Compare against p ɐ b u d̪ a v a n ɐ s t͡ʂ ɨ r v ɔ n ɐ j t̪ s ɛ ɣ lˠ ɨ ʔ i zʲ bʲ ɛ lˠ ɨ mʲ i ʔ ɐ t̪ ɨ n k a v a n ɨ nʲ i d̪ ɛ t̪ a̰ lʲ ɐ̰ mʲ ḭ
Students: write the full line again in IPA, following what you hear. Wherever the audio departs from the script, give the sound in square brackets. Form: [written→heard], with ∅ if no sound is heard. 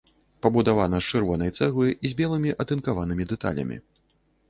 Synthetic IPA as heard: p ɐ b u d̪ a v a n ɐ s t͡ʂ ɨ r v ɔ n ɐ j t̪ s ɛ ɣ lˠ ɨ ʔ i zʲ bʲ ɛ lˠ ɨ mʲ i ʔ ɐ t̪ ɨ n k a v a n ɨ [nʲ→mʲ] i d̪ ɛ t̪ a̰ lʲ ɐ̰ mʲ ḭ